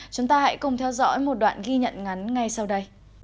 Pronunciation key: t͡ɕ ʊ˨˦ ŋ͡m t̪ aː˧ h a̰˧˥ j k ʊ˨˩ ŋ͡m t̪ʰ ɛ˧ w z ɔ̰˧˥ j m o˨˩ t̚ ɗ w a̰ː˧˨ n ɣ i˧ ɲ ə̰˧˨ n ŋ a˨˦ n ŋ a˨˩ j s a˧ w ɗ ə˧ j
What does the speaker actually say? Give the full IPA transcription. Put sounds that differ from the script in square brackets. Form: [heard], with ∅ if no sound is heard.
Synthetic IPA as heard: t͡ɕ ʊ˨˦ ŋ͡m t̪ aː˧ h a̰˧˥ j k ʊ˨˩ ŋ͡m t̪ʰ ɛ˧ w z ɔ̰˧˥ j m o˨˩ t̚ ɗ w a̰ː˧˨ n ɣ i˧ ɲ ə̰˧˨ n ŋ a˨˦ n ŋ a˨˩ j s a˧ w ɗ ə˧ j